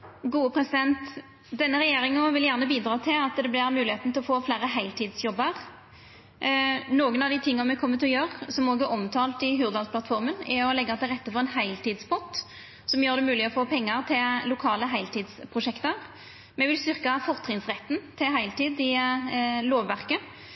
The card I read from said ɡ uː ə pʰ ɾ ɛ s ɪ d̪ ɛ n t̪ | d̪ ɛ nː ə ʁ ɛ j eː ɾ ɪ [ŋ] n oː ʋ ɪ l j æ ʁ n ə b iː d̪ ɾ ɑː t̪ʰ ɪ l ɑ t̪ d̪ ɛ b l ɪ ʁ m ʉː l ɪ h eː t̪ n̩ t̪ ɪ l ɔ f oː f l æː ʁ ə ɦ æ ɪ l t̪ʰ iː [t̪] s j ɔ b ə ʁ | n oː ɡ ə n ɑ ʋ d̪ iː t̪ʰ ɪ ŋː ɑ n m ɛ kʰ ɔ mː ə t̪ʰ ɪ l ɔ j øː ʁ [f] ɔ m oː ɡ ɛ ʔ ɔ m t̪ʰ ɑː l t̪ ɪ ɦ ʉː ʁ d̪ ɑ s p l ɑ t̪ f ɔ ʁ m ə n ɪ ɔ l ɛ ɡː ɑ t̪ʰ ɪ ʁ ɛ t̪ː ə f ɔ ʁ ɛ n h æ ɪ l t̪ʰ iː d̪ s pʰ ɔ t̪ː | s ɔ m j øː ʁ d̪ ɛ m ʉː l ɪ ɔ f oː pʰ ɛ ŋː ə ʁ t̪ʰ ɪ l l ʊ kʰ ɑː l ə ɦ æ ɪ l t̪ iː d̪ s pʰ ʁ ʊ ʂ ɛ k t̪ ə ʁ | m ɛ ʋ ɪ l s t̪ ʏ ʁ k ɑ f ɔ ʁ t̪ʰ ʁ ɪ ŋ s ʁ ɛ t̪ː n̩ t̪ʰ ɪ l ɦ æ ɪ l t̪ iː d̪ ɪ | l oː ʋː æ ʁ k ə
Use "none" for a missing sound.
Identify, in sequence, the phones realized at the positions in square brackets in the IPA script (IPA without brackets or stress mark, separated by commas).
ŋ, d̪, s